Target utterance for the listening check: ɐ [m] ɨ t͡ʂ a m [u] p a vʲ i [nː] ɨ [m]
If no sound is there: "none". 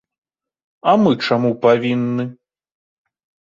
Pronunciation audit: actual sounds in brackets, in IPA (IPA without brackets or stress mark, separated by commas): m, u, nː, none